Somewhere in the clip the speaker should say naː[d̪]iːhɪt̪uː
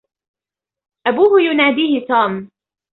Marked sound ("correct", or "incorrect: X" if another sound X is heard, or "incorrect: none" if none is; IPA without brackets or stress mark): correct